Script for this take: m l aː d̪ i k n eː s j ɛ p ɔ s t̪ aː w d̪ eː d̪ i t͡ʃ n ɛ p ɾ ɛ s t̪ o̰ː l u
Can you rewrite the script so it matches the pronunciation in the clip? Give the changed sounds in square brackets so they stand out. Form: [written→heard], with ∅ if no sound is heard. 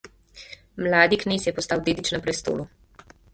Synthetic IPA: m l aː d̪ i k n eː s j ɛ p ɔ s t̪ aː w d̪ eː d̪ i t͡ʃ n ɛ p ɾ ɛ s t̪ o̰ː l u